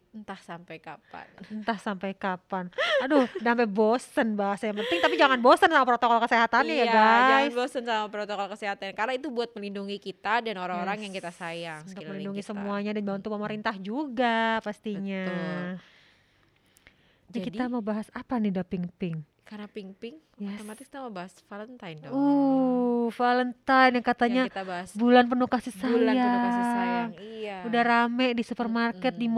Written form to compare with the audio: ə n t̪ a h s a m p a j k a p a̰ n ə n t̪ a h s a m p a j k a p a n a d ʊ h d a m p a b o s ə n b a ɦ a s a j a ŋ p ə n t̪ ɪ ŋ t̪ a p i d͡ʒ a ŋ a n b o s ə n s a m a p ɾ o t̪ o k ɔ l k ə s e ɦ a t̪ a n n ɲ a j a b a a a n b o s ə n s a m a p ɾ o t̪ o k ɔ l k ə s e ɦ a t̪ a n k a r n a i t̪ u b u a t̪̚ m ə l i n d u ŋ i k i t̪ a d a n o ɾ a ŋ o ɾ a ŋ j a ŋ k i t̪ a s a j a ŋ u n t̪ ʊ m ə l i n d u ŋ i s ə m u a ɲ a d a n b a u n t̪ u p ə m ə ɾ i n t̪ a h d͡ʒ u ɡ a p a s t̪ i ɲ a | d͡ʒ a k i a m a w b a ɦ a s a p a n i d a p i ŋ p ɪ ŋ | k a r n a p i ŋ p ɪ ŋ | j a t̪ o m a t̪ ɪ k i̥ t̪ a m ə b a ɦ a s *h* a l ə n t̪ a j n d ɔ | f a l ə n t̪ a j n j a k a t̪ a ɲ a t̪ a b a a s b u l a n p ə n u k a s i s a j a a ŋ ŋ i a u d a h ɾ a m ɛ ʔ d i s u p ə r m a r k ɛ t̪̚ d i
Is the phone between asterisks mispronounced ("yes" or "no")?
yes